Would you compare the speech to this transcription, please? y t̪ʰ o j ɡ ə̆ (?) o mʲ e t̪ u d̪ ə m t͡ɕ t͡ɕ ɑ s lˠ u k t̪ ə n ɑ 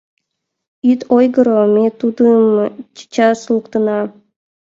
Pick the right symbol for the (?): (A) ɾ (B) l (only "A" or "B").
A